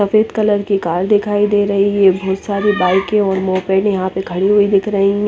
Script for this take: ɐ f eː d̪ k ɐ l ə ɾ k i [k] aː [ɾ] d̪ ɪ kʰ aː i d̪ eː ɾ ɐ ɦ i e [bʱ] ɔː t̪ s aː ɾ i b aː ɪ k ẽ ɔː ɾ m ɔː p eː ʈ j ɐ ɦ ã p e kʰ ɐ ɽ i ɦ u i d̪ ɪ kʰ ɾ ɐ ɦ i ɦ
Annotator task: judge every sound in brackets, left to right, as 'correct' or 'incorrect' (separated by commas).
correct, correct, correct